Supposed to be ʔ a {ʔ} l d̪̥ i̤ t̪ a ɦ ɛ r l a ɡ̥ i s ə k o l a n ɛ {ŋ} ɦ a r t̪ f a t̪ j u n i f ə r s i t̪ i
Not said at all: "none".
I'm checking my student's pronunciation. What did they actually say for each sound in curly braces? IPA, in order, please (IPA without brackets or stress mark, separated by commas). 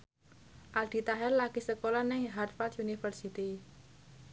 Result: none, ŋ